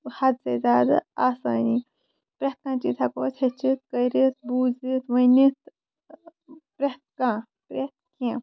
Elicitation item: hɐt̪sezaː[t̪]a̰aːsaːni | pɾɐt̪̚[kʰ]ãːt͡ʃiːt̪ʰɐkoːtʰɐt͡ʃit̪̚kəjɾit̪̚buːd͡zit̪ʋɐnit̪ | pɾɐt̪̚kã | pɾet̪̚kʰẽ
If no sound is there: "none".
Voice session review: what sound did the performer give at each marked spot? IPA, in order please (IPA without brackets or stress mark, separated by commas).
d̪, k